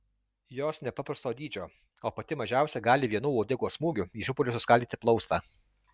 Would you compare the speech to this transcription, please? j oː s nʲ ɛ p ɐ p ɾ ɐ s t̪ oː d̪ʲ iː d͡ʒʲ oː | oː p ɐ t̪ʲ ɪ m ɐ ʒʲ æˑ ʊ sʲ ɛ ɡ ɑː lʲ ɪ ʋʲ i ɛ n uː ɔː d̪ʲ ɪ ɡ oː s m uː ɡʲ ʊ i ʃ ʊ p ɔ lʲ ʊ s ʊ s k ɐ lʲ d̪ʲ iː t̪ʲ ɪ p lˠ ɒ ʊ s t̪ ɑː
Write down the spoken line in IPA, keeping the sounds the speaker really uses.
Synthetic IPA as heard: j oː s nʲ ɛ p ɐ p ɾ ɐ s t̪ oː d̪ʲ iː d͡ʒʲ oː | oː p ɐ t̪ʲ ɪ m ɐ ʒʲ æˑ ʊ sʲ ɛ ɡ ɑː lʲ ɪ ʋʲ i ɛ n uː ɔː d̪ʲ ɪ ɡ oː s m uː ɡʲ ʊ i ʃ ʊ p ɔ lʲ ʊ s ʊ s k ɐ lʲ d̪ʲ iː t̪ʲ ɪ p lˠ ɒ ʊ s t̪ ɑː